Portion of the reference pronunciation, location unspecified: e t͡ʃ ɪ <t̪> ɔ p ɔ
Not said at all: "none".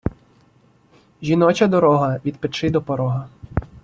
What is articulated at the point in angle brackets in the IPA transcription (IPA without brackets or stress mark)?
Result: d̪